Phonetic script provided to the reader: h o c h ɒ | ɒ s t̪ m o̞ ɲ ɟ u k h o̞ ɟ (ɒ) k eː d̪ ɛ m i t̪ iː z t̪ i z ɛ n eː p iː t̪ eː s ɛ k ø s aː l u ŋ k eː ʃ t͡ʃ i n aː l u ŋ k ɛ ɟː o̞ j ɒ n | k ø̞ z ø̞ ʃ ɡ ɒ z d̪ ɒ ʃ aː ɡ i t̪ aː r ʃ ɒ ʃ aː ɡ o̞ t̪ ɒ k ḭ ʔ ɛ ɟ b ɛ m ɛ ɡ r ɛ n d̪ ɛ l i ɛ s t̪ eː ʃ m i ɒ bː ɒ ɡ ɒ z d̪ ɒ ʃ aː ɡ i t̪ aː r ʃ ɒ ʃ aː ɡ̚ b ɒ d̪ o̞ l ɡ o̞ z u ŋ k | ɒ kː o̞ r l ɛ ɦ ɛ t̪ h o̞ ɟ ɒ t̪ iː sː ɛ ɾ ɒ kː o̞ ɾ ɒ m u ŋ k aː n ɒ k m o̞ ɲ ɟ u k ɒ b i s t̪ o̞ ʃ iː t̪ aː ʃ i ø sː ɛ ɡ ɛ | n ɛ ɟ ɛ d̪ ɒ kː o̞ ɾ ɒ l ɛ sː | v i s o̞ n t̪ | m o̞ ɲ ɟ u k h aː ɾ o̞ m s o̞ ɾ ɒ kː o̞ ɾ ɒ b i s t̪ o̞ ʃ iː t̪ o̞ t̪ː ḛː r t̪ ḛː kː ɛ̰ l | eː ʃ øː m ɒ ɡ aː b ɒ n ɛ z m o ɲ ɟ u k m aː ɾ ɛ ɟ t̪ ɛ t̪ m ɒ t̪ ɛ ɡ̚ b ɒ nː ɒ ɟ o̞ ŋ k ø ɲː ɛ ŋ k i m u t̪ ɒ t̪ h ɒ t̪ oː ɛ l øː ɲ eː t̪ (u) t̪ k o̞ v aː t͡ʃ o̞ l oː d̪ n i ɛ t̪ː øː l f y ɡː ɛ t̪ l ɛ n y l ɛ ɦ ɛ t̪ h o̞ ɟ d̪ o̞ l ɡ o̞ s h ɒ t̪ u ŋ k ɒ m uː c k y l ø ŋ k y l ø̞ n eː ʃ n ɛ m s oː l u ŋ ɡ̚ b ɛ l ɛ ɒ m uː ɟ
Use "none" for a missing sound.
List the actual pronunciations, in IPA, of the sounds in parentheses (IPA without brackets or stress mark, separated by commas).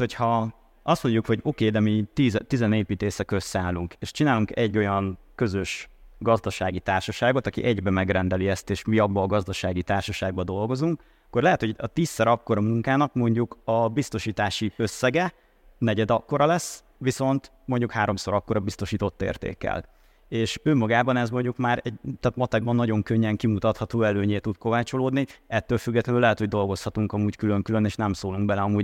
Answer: o, u